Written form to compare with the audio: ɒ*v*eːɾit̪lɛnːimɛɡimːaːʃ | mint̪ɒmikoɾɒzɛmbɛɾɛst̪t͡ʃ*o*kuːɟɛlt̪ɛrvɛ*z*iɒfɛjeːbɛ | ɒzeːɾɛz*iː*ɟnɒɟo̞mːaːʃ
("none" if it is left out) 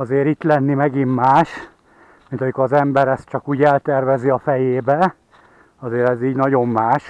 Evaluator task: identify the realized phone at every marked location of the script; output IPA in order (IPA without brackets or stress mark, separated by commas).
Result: z, ɒ, z, iː